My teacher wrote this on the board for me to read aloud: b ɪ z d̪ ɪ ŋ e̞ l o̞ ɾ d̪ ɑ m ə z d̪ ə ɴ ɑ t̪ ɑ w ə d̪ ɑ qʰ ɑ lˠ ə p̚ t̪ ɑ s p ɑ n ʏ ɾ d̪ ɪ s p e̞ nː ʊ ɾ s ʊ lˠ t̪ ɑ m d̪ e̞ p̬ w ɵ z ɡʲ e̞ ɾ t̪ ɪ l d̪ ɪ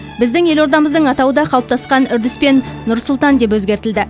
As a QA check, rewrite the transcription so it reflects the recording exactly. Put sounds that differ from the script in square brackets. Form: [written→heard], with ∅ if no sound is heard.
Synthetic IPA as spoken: b ɪ z d̪ ɪ ŋ e̞ l o̞ ɾ d̪ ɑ m ə z d̪ ə ɴ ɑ t̪ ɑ w ə d̪ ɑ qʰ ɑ lˠ ə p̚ t̪ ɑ s [p→q] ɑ n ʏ ɾ d̪ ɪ s p e̞ nː ʊ ɾ s ʊ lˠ t̪ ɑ [m→n] d̪ e̞ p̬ w ɵ z ɡʲ e̞ ɾ t̪ ɪ l d̪ ɪ

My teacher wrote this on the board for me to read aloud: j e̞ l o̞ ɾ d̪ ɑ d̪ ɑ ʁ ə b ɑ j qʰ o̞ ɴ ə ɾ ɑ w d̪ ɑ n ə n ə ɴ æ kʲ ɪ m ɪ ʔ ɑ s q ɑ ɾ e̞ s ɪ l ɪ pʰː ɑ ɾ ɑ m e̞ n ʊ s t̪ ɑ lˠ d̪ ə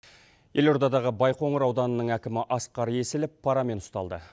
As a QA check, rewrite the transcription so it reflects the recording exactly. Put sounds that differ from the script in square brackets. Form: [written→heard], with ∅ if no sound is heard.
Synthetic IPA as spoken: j e̞ l o̞ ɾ d̪ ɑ d̪ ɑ ʁ ə b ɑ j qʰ o̞ ɴ ə ɾ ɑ w d̪ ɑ n ə n ə ɴ æ kʲ ɪ m ɪ ʔ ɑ s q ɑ ɾ e̞ s ɪ l ɪ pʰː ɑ ɾ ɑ m e̞ n ʊ s t̪ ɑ lˠ d̪ ə

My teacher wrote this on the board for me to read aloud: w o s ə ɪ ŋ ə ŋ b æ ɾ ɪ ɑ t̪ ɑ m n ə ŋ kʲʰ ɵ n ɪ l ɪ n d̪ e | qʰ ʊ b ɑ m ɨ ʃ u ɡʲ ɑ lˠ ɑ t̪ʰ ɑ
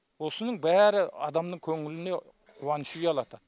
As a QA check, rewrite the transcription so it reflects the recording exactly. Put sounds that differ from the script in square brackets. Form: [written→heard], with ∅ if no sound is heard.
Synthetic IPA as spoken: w o s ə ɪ [ŋ→n] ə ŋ b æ ɾ ɪ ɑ [t̪→d̪] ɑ m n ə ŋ kʲʰ ɵ [n→ŋ] ɪ l ɪ n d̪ e | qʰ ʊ [b→w] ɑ [m→n] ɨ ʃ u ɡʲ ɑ lˠ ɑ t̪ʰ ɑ

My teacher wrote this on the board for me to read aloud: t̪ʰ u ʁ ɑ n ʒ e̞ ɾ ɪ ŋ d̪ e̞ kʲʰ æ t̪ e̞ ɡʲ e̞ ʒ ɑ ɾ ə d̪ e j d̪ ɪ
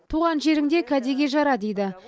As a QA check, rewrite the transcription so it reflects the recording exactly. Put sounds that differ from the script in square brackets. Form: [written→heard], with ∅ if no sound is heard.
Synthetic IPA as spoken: t̪ʰ u ʁ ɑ n ʒ e̞ ɾ ɪ ŋ d̪ e̞ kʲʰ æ [t̪→d̪] e̞ ɡʲ e̞ ʒ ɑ ɾ [ə→ɑ] d̪ e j d̪ ɪ

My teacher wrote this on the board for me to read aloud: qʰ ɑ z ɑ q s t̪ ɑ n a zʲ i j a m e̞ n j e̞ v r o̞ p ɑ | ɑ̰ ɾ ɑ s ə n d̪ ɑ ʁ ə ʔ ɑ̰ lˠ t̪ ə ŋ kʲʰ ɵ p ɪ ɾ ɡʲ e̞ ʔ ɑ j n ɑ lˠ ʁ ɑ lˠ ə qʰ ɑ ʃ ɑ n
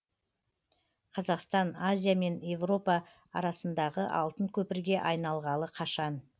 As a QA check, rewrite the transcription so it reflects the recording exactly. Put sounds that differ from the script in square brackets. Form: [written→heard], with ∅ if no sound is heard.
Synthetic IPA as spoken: qʰ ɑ z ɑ q s t̪ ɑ n a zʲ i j a m e̞ n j e̞ v r o̞ p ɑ | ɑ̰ ɾ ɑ s ə n d̪ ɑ ʁ ə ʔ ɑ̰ lˠ t̪ ə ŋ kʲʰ ɵ p ɪ ɾ ɡʲ e̞ ʔ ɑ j n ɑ lˠ ʁ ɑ lˠ ə qʰ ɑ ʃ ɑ n

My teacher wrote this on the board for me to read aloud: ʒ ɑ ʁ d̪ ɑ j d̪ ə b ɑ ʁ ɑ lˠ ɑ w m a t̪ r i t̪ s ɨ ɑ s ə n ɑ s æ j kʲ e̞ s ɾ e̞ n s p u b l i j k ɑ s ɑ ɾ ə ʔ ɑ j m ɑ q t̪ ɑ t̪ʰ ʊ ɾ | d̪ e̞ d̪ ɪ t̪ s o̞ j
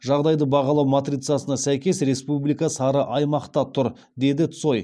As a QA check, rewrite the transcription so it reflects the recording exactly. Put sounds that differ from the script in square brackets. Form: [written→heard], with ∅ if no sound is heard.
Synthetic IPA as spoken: ʒ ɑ ʁ d̪ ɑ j d̪ ə b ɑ ʁ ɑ lˠ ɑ w m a t̪ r i t̪ s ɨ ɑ s ə n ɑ s æ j kʲ e̞ s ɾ e̞ [n→∅] s p u b l i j k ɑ s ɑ ɾ ə ʔ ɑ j m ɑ q t̪ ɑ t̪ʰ ʊ ɾ | d̪ e̞ d̪ ɪ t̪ s o̞ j

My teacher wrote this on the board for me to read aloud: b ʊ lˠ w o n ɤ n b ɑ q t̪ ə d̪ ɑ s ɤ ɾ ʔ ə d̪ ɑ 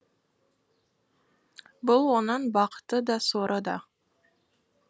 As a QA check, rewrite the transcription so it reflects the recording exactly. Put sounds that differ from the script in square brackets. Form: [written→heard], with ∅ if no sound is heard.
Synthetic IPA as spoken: b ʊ lˠ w o n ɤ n b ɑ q t̪ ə d̪ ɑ s [ɤ→o] ɾ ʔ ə d̪ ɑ

